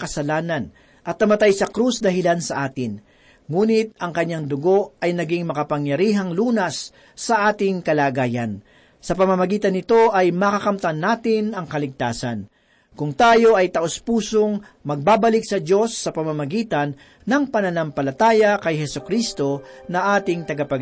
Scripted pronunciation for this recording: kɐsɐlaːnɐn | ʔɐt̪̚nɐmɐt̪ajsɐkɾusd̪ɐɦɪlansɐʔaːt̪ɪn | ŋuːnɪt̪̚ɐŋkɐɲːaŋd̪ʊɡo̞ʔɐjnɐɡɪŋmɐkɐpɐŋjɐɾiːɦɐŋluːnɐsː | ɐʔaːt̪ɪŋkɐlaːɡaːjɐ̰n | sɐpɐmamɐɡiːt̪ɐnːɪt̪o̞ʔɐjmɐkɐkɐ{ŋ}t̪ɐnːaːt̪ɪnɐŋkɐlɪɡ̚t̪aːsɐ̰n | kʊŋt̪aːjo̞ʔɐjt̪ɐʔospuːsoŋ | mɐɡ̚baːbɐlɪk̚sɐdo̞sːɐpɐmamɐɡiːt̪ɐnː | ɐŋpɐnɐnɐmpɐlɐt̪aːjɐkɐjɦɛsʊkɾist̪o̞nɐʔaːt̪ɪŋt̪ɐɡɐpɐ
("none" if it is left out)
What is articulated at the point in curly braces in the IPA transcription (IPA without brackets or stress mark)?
m